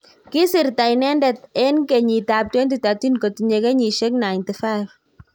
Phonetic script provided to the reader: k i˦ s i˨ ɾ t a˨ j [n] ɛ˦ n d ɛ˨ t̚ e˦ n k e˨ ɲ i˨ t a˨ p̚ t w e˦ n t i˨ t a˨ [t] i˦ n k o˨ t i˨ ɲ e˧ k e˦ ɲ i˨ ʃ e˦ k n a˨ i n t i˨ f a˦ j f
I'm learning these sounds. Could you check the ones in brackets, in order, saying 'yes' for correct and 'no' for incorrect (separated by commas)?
yes, yes